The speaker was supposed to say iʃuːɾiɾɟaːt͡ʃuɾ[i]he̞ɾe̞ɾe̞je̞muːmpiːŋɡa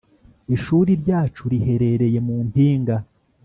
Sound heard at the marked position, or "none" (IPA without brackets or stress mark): i